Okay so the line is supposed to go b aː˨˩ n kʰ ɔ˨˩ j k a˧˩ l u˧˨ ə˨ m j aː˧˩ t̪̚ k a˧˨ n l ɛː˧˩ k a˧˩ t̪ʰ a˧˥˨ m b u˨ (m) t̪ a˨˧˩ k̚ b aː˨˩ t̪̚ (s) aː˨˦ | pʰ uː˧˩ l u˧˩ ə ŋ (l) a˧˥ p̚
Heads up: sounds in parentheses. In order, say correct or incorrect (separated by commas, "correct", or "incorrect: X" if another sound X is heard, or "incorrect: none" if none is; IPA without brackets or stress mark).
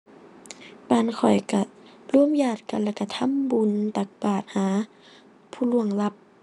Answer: incorrect: n, incorrect: h, correct